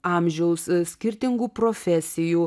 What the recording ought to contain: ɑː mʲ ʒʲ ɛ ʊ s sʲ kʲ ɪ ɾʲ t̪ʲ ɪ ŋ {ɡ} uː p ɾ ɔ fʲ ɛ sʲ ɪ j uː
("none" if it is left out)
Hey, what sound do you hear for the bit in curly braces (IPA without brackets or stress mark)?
ɡ